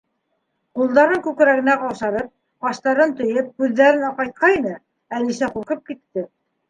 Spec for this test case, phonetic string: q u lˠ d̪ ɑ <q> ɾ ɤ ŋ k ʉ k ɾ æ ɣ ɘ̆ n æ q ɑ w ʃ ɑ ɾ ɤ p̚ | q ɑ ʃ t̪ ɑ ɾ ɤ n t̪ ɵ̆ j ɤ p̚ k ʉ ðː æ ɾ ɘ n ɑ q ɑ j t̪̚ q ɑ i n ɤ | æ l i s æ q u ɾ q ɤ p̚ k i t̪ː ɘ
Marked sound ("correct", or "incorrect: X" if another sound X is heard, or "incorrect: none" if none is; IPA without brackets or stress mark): incorrect: none